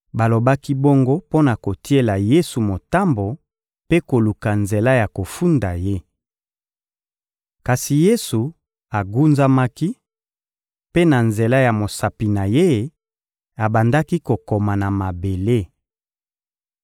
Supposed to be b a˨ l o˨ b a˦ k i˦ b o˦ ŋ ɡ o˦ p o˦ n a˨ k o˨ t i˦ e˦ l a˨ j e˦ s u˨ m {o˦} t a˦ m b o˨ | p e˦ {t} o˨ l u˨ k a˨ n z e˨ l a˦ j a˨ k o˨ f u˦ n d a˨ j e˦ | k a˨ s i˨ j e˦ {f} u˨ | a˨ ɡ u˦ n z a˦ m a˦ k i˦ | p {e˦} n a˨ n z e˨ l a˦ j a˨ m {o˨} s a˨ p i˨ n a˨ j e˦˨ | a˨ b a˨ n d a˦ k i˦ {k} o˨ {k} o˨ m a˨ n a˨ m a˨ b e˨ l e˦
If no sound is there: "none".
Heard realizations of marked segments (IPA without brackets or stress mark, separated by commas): o˨, k, s, e˦, o˨, k, k